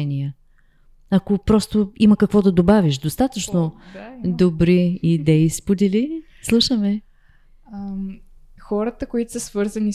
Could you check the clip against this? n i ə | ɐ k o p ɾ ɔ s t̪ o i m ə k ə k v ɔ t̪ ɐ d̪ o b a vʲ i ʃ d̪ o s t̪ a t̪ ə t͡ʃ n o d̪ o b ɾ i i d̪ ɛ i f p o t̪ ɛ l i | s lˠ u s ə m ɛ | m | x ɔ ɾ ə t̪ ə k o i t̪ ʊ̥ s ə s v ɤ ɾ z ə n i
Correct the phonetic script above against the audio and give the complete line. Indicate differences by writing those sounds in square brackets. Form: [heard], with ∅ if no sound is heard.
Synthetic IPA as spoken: n i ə | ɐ k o p ɾ ɔ s t̪ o i m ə k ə k v ɔ [d̪] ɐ d̪ o b a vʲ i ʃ d̪ o s t̪ a t̪ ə t͡ʃ n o d̪ o b ɾ i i d̪ ɛ i [s] p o [d̪] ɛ l i | s lˠ u [ʃ] ə m ɛ | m | x ɔ ɾ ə t̪ ə k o i t̪ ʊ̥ s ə s v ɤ ɾ z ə n i